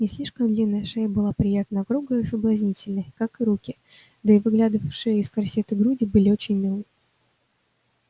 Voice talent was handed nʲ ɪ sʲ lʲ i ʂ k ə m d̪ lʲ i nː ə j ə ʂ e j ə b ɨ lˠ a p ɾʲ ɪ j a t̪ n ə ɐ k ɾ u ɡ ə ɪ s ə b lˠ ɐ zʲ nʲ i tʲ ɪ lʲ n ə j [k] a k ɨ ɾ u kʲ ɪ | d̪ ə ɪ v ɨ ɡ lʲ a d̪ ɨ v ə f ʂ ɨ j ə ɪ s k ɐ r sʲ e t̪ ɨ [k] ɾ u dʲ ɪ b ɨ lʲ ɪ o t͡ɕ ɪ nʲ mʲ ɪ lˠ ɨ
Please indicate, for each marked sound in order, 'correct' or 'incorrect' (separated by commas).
correct, incorrect